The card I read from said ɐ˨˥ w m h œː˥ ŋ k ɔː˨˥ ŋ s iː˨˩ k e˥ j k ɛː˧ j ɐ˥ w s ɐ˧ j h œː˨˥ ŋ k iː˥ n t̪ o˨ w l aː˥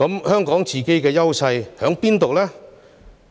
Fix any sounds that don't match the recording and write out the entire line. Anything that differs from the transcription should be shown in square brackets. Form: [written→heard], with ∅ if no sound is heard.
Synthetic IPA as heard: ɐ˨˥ [w→∅] m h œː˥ ŋ k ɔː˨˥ ŋ [s→t͡s] iː˨˩ k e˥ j k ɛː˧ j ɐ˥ w s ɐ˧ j h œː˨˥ ŋ [k→p] iː˥ n t̪ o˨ w l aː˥